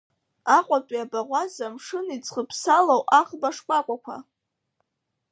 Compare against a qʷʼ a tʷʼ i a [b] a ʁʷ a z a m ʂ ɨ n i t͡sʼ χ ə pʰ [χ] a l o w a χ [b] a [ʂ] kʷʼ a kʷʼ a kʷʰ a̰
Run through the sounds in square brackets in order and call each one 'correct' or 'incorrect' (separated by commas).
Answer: correct, incorrect, correct, correct